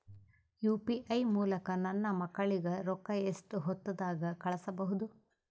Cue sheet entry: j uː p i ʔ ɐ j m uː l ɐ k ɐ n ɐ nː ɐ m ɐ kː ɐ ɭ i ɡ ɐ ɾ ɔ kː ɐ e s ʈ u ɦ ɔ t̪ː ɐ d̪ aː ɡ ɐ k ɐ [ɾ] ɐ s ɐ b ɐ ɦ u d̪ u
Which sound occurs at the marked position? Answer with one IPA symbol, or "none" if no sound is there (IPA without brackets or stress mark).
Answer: ɭ